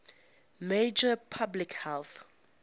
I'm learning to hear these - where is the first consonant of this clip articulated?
lips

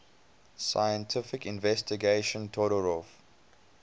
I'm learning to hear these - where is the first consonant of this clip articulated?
tongue tip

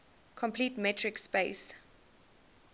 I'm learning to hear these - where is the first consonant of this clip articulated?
velum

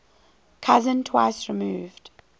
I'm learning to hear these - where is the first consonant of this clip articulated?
velum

